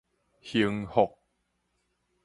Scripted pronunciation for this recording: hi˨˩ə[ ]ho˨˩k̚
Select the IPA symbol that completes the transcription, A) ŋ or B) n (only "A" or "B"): A